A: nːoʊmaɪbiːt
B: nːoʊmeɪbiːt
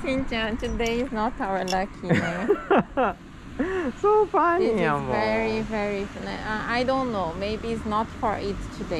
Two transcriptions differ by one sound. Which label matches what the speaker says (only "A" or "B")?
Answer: B